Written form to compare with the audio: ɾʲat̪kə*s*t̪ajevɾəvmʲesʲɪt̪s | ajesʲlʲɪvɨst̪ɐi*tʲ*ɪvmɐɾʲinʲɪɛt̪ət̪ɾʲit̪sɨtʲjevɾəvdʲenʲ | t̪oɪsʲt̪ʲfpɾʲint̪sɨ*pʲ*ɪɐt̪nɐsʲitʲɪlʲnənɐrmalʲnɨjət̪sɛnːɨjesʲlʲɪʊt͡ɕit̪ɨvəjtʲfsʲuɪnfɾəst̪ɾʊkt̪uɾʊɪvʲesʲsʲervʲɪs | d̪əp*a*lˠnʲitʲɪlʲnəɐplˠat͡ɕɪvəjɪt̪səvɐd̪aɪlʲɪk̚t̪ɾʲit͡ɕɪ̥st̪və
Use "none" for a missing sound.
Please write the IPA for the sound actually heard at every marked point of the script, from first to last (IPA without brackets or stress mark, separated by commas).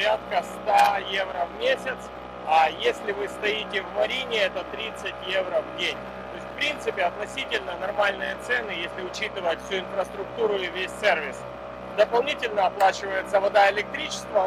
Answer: s, tʲ, pʲ, ɐ